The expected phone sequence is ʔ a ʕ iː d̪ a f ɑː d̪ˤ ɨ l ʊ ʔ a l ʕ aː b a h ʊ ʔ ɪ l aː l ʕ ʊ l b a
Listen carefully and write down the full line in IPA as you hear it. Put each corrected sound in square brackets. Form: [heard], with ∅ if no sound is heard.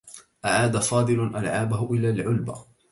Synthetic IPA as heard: ʔ a ʕ [aː] d̪ a f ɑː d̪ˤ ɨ l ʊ ʔ a l ʕ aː b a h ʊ ʔ ɪ l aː l ʕ ʊ l b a

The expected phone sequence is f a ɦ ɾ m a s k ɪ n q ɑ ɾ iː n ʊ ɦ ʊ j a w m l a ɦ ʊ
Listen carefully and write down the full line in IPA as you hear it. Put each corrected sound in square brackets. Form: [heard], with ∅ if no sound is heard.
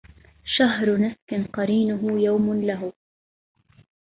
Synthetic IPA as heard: [ʃ] a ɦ ɾ [n] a s k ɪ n q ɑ ɾ iː n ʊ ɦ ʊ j a w m l a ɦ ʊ

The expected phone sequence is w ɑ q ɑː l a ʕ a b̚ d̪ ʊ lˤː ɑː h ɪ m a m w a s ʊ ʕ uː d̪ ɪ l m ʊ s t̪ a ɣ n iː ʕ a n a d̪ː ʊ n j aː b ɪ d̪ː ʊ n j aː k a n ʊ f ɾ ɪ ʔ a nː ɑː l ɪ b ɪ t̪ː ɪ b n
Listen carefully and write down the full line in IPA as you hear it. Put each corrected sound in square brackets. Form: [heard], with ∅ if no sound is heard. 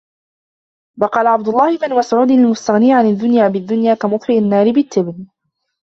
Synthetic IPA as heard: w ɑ q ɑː l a ʕ a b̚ d̪ ʊ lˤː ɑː h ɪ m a [n] w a s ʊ ʕ uː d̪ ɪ l m ʊ s t̪ a ɣ n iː ʕ a n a d̪ː ʊ n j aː b ɪ d̪ː ʊ n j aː k a [m] ʊ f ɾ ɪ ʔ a nː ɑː [ɾ] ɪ b ɪ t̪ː ɪ b n

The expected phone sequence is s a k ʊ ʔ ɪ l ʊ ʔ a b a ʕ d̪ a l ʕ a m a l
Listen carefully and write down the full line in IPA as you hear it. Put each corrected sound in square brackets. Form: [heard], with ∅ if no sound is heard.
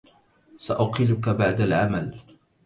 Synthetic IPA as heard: s a [ʔ] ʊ [q] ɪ l ʊ [k] a b a ʕ d̪ a l ʕ a m a l

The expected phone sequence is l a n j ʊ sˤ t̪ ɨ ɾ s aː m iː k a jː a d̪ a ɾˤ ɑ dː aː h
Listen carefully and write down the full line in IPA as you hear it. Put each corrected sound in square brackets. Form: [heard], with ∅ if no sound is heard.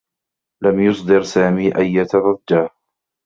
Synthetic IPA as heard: l a [m] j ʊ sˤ [d̪] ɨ ɾ s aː m iː [ʔ] a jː a [t̪] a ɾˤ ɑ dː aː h

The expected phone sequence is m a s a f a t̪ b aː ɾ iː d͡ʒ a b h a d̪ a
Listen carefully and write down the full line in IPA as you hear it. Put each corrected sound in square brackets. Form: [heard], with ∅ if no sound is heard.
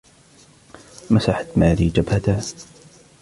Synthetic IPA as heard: m a s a [ħ] a t̪ [m] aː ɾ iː d͡ʒ a b h a [t̪] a

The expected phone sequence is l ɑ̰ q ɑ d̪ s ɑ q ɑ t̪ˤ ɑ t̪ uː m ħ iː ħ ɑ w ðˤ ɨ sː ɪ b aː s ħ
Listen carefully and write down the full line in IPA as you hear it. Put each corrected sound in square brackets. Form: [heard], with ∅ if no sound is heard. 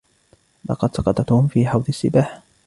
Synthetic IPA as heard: l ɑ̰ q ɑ d̪ s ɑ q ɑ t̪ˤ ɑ t̪ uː m [f] iː ħ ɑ w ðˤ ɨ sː ɪ b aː [∅] ħ

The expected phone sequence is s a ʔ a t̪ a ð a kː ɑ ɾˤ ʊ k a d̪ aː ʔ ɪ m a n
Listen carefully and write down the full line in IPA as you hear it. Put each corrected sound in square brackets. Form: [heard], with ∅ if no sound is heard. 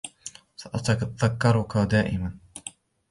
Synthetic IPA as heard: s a ʔ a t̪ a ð a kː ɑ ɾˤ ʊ k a d̪ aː ʔ ɪ m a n

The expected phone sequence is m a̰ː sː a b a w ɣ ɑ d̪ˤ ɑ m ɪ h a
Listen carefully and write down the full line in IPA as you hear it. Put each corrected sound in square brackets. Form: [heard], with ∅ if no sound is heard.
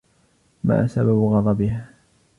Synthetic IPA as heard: m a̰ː [s] a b a [b] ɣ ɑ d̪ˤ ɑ [b] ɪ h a

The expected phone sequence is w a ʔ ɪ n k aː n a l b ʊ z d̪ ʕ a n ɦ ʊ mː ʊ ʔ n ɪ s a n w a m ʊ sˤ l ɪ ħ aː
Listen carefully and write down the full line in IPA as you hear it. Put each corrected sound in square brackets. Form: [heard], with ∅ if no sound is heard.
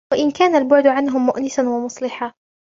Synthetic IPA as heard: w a ʔ ɪ n k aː n a l b ʊ [ʕ] d̪ ʕ a n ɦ ʊ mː ʊ ʔ n ɪ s a n w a m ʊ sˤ l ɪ ħ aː

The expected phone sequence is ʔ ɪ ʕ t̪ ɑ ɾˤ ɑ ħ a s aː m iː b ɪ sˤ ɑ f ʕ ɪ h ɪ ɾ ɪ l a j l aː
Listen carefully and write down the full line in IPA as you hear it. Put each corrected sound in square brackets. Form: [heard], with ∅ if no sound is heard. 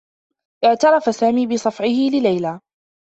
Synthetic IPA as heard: ʔ ɪ ʕ t̪ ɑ ɾˤ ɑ [f] a s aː m iː b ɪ sˤ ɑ f ʕ ɪ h ɪ [l] ɪ l a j l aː

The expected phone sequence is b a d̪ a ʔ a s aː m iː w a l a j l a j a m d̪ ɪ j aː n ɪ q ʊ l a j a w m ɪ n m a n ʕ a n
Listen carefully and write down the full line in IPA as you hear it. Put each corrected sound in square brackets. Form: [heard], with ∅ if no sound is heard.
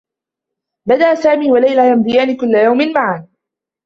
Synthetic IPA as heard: b a d̪ a ʔ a s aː m iː w a l a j l a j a m d̪ ɪ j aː n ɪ [k] ʊ [lː] a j a w m ɪ n m a [∅] ʕ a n

